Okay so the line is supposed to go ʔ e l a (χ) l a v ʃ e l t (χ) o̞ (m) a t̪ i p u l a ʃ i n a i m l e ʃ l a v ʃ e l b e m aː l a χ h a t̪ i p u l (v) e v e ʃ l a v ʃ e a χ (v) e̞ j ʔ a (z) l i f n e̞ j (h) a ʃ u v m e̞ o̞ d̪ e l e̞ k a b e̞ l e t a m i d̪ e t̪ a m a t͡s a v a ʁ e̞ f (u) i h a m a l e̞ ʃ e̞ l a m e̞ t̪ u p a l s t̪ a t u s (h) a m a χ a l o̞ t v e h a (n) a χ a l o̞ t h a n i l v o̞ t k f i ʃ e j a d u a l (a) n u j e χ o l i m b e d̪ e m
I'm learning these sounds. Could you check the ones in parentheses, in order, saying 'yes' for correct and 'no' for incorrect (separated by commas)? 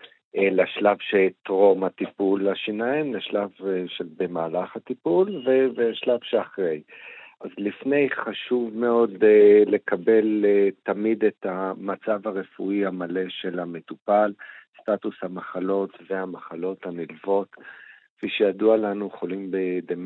no, no, yes, yes, no, yes, no, yes, yes, no, yes